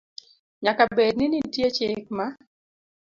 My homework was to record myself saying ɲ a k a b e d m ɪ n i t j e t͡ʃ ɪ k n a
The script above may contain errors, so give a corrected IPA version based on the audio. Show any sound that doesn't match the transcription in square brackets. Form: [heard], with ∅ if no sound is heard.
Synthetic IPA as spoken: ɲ a k a b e d [n] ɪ n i t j e t͡ʃ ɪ k [m] a